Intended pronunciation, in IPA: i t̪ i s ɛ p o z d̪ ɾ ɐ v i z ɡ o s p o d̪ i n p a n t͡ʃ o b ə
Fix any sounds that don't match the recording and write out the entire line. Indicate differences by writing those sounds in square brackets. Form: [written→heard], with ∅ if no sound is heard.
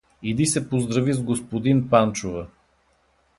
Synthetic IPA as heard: i [t̪→d̪] i s ɛ p o z d̪ ɾ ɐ v i z ɡ o s p o d̪ i n p a n t͡ʃ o [b→v] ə